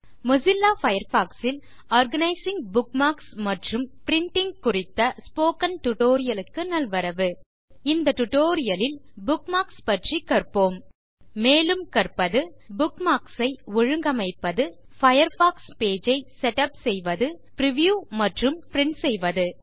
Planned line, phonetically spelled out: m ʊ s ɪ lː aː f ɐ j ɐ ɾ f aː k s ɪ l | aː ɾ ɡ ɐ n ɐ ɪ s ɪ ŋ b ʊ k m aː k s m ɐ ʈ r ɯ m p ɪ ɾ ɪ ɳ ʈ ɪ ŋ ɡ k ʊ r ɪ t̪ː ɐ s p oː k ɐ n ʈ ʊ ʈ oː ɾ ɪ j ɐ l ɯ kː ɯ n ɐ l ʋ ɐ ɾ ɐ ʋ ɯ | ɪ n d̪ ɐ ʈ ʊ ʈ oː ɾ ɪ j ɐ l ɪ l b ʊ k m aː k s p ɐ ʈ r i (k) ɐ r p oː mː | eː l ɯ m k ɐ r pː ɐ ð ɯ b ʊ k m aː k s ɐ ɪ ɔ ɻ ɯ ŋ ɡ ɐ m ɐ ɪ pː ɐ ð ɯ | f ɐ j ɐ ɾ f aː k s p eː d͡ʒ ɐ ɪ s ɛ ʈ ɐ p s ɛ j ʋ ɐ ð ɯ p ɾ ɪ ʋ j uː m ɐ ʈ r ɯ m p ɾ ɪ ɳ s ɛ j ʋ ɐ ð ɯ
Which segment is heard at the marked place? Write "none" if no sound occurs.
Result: k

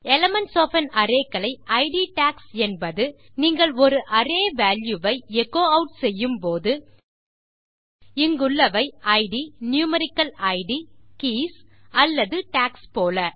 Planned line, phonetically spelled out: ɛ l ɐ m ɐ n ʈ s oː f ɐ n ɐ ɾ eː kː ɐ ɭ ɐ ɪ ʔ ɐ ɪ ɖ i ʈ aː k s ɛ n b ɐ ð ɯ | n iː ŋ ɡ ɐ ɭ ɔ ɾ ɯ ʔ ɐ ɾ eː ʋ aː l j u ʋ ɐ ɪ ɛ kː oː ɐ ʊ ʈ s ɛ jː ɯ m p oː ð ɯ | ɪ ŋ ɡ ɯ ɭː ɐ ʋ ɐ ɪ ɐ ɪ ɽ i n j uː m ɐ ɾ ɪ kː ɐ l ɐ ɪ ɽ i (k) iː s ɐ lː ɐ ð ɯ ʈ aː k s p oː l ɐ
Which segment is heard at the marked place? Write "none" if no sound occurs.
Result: k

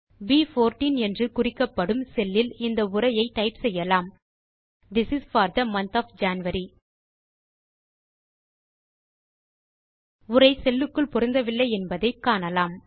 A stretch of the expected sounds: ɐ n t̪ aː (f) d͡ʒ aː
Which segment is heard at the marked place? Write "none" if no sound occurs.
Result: f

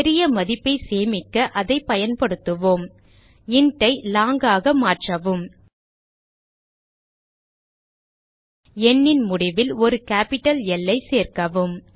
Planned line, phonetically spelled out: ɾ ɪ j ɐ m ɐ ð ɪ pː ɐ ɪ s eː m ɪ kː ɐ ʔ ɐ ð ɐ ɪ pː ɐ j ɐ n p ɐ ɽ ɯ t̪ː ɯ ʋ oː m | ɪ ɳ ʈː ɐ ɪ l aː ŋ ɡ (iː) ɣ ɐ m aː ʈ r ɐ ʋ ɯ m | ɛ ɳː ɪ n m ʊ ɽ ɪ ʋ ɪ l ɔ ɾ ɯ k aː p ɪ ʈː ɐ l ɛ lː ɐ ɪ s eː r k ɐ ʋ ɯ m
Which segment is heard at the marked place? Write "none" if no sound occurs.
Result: aː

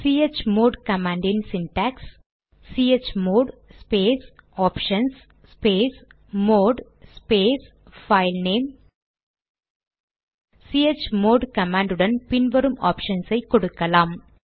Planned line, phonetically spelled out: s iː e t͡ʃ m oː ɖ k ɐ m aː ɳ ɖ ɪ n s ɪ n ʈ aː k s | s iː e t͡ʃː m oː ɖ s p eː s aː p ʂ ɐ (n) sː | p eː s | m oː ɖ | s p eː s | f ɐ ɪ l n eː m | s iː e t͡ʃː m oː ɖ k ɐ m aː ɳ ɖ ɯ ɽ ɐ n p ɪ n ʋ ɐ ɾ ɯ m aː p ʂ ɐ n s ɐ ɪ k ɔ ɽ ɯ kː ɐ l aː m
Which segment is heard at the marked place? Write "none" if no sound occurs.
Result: n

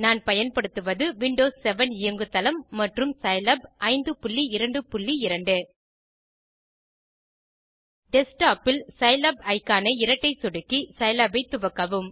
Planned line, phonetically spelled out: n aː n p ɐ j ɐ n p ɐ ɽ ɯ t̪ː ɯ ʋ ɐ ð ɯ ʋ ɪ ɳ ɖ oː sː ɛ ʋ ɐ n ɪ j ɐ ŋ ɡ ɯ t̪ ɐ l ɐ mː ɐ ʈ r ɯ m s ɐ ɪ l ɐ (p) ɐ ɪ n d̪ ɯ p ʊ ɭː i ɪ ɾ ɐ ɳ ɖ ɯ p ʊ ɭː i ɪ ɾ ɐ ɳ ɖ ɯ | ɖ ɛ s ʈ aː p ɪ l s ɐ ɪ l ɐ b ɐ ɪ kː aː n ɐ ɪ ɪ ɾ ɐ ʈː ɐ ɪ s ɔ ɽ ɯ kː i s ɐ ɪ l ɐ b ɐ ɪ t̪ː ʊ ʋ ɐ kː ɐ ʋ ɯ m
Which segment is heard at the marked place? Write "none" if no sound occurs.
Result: b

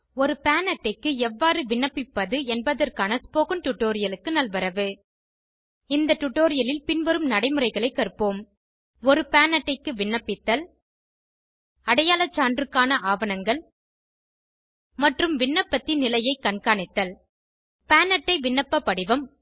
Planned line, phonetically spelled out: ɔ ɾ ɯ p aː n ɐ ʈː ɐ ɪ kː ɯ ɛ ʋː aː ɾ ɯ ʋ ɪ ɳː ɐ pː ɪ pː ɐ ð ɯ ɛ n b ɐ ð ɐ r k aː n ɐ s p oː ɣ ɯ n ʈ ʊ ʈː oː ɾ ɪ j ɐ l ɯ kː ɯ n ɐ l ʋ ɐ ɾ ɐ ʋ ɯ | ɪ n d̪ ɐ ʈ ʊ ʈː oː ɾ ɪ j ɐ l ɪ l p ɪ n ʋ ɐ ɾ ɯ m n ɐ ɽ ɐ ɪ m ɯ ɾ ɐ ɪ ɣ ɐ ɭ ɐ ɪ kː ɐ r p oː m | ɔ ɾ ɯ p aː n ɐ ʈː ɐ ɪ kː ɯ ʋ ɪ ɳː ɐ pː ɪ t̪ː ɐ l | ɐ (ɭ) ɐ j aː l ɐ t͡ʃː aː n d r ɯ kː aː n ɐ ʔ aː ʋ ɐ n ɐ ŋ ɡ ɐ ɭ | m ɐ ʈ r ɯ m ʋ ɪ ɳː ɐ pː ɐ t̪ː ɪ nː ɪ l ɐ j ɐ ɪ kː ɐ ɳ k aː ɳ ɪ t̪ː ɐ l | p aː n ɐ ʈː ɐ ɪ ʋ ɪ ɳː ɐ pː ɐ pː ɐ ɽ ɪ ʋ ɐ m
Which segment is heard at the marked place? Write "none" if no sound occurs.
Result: ɽ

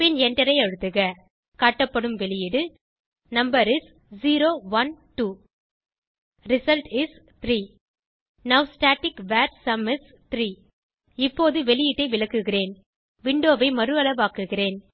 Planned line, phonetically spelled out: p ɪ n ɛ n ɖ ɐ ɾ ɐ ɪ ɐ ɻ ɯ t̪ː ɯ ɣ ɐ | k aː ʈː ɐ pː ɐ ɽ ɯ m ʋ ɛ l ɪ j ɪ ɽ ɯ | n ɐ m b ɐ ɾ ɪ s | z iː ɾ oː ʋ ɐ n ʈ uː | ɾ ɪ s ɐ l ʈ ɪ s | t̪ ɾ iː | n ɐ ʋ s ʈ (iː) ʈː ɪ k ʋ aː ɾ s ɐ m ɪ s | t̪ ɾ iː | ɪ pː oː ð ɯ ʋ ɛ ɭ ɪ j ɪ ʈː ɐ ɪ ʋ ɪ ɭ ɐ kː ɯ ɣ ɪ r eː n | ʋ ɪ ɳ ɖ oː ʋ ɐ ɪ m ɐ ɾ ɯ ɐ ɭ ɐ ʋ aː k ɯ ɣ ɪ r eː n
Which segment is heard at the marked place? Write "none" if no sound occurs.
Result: aː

